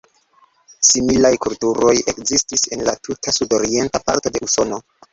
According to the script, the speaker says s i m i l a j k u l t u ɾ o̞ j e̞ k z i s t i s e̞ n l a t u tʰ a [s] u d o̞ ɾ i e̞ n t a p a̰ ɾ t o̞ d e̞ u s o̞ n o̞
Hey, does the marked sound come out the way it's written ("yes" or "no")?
yes